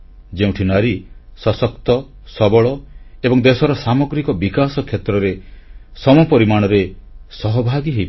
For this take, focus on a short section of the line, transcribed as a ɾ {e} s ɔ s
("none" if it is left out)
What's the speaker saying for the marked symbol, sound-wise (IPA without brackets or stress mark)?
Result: i